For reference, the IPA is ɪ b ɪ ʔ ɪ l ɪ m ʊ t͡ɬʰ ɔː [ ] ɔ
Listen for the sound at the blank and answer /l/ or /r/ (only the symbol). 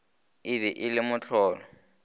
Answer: l